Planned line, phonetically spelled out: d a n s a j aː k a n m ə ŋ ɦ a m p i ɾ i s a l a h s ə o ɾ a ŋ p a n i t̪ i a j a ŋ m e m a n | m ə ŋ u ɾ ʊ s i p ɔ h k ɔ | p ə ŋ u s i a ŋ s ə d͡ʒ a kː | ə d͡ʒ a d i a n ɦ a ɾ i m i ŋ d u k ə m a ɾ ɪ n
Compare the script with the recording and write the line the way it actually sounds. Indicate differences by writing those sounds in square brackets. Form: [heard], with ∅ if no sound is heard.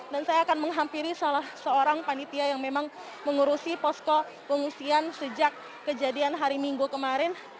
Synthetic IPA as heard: d a n s a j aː k a n m ə ŋ ɦ a m p i ɾ i s a l a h s ə o ɾ a ŋ p a n i t̪ i a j a ŋ m e m a [ŋ] | m ə ŋ u ɾ [u] s i p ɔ [s] k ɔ | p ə ŋ u s i a [n] s ə d͡ʒ a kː | ə d͡ʒ a d i a n ɦ a ɾ i m i ŋ [ɡ] u k ə m a ɾ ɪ n